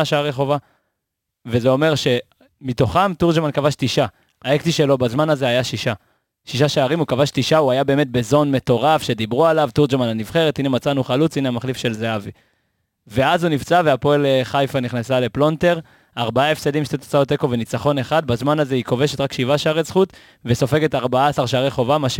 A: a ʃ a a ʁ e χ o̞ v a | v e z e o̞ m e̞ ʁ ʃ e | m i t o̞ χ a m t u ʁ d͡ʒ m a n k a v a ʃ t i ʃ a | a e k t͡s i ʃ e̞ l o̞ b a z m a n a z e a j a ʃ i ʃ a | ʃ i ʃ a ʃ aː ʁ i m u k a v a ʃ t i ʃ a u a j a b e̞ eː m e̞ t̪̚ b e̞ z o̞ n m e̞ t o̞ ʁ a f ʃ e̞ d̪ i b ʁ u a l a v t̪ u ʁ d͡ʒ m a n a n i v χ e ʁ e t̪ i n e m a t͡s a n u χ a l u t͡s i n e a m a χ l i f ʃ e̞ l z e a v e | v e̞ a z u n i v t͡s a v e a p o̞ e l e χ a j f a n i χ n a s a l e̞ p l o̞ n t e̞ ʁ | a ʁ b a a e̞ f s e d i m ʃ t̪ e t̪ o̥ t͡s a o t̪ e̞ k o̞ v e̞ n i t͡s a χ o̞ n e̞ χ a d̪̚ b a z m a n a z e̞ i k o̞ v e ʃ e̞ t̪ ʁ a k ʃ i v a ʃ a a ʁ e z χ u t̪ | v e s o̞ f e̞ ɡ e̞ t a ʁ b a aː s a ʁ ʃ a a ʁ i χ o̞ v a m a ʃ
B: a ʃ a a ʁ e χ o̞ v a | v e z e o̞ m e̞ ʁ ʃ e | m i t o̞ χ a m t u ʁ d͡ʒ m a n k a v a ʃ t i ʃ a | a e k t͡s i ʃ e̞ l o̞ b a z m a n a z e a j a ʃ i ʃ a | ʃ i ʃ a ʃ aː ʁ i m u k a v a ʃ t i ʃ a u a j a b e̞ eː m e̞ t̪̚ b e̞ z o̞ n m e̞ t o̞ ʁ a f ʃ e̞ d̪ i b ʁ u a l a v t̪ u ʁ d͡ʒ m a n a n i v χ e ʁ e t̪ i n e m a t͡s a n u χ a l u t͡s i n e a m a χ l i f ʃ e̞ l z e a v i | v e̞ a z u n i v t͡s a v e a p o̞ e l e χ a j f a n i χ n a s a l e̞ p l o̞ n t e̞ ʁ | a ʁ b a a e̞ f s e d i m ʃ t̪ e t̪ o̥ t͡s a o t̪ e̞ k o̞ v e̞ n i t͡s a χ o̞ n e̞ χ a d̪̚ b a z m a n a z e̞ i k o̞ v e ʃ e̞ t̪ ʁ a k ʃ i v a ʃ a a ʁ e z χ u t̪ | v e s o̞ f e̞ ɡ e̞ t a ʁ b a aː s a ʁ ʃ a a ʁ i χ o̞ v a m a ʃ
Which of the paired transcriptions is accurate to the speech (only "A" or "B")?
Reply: B